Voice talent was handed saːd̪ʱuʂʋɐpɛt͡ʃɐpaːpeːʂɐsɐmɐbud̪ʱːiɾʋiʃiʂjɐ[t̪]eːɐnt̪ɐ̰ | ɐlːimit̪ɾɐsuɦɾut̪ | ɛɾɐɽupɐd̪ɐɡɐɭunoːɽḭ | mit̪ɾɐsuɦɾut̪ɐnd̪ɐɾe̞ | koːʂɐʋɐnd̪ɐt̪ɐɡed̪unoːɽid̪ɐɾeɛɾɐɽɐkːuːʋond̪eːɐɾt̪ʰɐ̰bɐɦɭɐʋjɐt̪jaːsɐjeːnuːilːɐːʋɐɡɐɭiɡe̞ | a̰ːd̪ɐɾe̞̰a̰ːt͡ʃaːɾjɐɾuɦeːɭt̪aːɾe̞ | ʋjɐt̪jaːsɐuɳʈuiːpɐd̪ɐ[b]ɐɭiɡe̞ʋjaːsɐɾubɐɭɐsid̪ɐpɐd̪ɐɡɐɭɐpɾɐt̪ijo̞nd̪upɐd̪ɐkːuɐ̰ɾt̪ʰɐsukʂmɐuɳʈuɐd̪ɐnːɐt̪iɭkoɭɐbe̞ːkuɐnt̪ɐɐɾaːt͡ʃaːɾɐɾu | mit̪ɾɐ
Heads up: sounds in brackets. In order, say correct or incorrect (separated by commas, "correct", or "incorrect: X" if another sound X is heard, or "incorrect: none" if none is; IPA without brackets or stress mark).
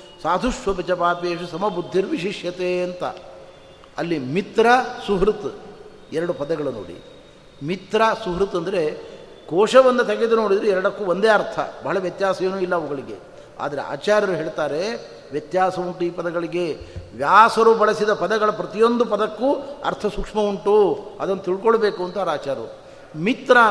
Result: correct, incorrect: ɡ